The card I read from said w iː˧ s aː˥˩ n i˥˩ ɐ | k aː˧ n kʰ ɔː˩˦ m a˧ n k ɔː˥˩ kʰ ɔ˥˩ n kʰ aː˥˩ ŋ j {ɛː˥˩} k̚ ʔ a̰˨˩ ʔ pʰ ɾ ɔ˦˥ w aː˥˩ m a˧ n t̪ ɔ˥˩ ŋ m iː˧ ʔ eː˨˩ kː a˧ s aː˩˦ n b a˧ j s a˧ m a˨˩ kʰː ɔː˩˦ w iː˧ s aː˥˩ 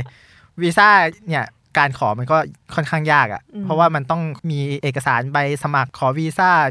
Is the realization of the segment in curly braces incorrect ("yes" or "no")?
yes